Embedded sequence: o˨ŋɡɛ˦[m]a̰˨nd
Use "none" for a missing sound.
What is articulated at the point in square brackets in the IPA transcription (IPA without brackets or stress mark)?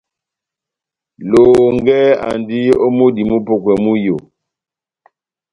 none